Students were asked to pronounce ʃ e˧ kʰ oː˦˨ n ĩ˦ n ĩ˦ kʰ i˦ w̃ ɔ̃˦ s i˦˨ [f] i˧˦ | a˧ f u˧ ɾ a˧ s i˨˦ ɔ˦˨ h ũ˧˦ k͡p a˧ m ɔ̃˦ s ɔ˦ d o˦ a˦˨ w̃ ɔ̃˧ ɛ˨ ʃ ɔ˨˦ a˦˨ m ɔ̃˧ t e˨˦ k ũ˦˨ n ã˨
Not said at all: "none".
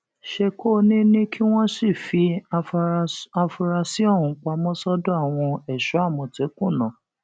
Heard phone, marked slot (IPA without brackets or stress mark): f